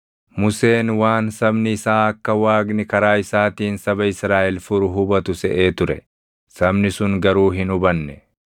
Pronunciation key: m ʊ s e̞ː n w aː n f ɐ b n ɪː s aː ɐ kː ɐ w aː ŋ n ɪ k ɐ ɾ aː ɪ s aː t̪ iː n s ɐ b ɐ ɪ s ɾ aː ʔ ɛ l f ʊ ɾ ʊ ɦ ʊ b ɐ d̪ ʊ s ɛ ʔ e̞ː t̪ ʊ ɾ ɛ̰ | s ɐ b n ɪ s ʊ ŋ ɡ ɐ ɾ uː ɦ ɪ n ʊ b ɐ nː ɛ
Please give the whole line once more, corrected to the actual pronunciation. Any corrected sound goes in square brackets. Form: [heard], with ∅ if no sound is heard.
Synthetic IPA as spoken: m ʊ s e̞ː n w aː n [s] ɐ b n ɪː s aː ɐ kː ɐ w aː [ɡ] n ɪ k ɐ ɾ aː ɪ s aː t̪ iː n s ɐ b ɐ ɪ s ɾ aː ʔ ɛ l f ʊ ɾ ʊ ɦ ʊ b ɐ [t̪] ʊ s ɛ ʔ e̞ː t̪ ʊ ɾ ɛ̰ | s ɐ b n ɪ s ʊ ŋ ɡ ɐ ɾ uː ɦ ɪ n ʊ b ɐ nː ɛ